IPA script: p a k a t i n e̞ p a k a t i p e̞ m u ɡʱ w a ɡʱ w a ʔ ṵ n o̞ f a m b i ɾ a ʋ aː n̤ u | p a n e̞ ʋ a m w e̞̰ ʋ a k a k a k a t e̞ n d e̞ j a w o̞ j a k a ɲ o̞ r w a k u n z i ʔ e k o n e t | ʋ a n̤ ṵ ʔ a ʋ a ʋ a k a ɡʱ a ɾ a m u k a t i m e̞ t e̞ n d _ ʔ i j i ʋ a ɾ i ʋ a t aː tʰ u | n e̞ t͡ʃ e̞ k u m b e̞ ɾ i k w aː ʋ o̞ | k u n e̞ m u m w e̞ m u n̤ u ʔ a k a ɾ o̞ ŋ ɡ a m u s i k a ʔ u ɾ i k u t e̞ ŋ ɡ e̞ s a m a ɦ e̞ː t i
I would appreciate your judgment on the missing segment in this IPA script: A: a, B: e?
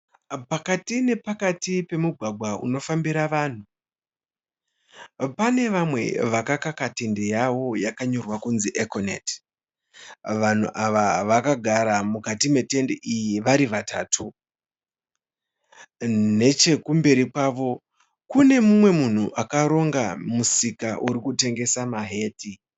B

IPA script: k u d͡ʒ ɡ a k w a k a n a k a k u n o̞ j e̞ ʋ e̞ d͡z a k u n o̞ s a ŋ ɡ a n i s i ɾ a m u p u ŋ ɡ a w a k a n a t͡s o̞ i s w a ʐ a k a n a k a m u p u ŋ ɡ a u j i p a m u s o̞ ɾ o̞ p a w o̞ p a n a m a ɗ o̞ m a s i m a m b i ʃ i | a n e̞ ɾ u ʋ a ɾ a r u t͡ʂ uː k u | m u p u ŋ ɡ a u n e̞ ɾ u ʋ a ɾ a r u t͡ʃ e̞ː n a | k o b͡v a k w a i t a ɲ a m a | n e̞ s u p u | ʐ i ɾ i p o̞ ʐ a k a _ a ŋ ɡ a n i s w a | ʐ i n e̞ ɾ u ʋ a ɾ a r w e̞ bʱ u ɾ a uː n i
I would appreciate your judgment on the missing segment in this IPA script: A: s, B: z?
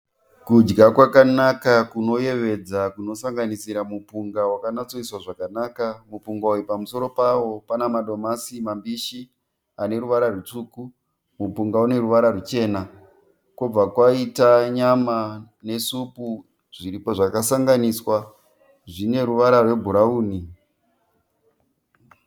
A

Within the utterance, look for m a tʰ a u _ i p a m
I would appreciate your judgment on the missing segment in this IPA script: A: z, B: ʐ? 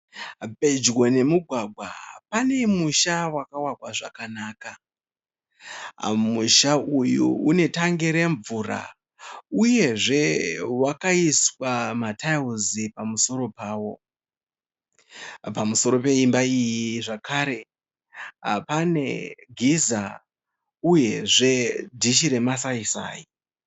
A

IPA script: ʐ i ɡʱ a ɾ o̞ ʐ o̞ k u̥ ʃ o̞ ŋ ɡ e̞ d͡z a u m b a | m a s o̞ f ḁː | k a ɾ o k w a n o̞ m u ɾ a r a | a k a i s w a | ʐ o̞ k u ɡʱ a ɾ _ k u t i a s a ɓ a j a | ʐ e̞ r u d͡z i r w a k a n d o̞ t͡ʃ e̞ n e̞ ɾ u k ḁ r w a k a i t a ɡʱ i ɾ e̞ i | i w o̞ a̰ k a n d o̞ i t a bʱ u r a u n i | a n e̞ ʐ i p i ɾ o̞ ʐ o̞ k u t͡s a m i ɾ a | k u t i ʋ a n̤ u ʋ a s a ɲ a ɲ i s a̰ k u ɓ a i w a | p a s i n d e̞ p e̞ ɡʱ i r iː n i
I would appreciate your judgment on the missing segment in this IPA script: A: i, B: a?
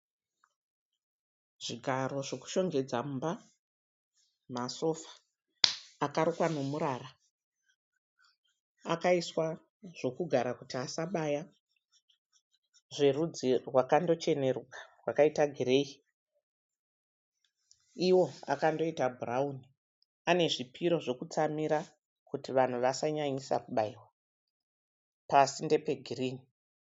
B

